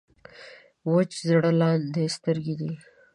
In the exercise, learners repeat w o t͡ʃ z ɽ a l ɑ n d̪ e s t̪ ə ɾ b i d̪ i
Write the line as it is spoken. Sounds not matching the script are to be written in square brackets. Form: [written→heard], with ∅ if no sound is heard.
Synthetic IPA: w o t͡ʃ z ɽ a l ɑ n d̪ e s t̪ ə ɾ [b→ɡ] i d̪ i